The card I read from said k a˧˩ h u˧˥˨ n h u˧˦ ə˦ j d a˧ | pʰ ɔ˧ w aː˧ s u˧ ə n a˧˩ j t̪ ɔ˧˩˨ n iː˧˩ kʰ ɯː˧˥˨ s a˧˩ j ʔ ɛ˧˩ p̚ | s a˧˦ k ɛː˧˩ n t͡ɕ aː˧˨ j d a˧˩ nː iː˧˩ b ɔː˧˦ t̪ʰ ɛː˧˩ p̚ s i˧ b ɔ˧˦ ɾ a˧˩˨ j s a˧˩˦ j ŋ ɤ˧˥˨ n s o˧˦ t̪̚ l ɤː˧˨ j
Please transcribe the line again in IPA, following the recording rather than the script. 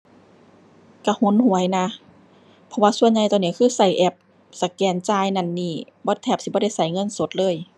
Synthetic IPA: k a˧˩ h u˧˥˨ n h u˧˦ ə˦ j n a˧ | pʰ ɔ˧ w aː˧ s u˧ ə ɲ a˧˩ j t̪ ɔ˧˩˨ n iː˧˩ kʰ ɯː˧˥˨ s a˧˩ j ʔ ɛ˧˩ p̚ | s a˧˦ k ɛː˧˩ n t͡ɕ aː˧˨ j n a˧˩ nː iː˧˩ b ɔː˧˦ t̪ʰ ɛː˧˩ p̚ s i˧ b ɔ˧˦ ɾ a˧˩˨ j s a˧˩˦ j ŋ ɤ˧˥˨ n s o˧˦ t̪̚ l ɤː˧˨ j